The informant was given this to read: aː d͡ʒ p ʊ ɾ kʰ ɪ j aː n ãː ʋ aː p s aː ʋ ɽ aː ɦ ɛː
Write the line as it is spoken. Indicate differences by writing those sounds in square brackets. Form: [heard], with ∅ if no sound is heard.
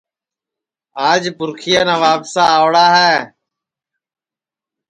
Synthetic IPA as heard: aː d͡ʒ p ʊ ɾ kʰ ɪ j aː n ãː ʋ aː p s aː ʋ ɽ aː ɦ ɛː